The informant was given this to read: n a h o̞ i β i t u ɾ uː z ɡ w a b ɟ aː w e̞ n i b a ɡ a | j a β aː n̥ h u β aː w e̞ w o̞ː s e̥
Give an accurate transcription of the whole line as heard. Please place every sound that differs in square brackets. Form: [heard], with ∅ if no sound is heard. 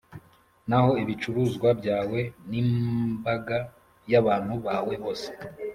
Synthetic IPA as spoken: n a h o̞ i β i [t͡ʃ] u ɾ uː z ɡ w a b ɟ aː w e̞ n i b a ɡ a | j a β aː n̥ h u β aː w e̞ [β] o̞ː s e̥